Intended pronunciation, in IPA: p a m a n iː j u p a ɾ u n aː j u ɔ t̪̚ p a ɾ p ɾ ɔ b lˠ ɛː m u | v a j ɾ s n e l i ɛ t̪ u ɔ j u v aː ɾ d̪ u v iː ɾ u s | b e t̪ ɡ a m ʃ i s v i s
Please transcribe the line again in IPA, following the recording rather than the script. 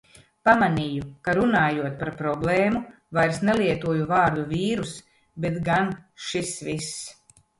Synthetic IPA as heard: p a m a n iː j u k a ɾ u n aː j u ɔ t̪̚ p a ɾ p ɾ ɔ b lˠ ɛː m u | v a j ɾ s n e l i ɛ t̪ u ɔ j u v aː ɾ d̪ u v iː ɾ u s | b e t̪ ɡ a n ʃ i s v i s